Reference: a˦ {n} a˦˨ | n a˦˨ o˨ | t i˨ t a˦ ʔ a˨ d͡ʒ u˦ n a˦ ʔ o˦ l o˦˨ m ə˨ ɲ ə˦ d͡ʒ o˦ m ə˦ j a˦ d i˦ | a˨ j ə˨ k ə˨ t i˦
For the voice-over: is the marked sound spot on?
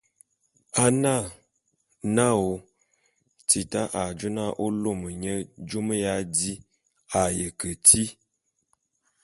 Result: yes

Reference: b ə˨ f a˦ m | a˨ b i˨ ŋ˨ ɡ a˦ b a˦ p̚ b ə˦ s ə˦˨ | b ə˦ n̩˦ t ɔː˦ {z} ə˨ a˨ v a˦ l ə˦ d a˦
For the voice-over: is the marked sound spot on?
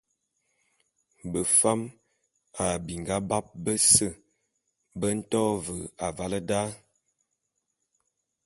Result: no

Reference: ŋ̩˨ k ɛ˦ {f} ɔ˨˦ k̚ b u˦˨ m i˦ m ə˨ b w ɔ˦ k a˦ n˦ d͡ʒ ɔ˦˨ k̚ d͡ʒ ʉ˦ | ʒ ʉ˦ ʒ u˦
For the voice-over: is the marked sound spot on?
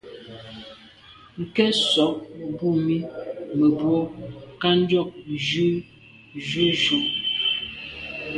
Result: no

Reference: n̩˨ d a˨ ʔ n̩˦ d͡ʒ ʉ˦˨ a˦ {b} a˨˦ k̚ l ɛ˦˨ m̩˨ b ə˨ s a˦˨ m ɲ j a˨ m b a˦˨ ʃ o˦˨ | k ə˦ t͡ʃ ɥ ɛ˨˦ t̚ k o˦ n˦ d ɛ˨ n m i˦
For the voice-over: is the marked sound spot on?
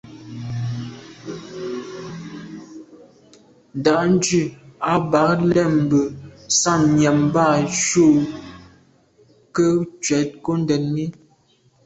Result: yes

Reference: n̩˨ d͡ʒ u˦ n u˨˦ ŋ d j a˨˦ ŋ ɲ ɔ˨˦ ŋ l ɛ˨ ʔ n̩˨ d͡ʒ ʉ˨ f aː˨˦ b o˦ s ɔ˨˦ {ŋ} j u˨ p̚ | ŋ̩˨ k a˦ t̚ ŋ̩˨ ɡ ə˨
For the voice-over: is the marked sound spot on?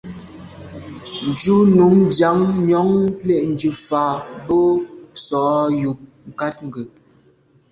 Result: no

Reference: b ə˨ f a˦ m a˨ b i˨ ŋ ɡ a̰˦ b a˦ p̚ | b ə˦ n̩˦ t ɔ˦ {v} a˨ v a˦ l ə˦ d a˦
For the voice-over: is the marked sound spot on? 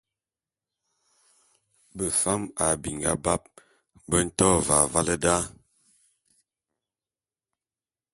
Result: yes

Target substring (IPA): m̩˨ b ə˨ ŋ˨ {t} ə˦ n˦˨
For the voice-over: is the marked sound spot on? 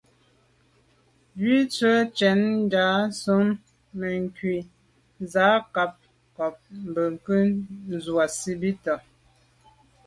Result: no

